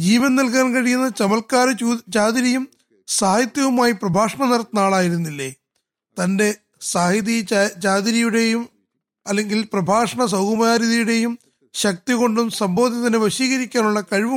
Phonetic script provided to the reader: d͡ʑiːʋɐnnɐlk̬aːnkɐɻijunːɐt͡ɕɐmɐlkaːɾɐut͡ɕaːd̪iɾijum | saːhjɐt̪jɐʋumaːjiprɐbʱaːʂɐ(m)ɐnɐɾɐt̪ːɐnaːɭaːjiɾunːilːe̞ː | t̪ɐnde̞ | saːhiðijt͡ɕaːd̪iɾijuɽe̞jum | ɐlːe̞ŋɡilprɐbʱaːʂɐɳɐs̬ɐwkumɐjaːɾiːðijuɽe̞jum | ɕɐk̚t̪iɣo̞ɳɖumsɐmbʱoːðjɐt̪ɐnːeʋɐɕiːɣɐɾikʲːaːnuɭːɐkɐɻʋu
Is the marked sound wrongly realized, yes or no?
yes